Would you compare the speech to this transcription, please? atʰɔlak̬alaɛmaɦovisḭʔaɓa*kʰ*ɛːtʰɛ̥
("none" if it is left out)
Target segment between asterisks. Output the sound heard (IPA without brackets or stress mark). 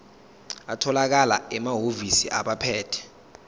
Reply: pʰ